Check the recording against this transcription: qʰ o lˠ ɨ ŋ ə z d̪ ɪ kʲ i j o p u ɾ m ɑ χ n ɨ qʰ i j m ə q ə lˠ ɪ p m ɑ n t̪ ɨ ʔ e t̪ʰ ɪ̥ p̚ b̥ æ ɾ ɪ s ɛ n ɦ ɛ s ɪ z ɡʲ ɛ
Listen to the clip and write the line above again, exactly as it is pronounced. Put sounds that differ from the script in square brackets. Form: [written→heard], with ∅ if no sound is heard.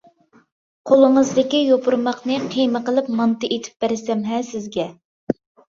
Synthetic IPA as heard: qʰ o lˠ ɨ ŋ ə z d̪ ɪ kʲ i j o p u ɾ m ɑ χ n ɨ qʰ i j m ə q ə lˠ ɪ p m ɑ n t̪ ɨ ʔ e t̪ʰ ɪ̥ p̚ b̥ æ ɾ ɪ s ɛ [n→m] ɦ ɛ s ɪ z ɡʲ ɛ